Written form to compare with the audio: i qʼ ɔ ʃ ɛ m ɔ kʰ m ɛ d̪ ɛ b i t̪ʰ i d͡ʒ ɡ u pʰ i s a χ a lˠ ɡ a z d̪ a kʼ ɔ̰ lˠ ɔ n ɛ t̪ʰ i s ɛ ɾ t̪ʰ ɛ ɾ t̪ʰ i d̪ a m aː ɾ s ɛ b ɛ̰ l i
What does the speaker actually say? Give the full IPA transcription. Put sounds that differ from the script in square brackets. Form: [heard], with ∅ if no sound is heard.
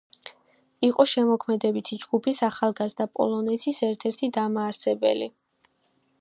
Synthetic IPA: i qʼ ɔ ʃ ɛ m ɔ kʰ m ɛ d̪ ɛ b i t̪ʰ i d͡ʒ ɡ u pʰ i s a χ a lˠ ɡ a z d̪ a [pʼ] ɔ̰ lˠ ɔ n ɛ t̪ʰ i s ɛ ɾ t̪ʰ ɛ ɾ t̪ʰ i d̪ a m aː ɾ s ɛ b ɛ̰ l i